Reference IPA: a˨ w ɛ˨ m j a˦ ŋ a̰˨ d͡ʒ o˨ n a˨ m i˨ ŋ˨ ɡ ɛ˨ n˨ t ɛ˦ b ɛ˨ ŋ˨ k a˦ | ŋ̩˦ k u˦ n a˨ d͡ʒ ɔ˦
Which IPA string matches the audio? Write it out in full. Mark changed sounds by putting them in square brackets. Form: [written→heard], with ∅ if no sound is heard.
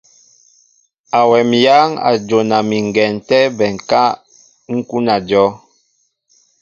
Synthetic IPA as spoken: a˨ w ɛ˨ m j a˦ ŋ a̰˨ d͡ʒ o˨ n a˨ m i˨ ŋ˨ ɡ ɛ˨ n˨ t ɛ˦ b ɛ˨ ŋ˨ k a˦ | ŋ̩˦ k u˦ n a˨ d͡ʒ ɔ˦